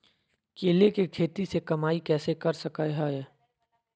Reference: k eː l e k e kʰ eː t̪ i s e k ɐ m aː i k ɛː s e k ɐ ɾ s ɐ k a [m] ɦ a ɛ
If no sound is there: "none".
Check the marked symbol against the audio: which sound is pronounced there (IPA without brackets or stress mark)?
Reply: none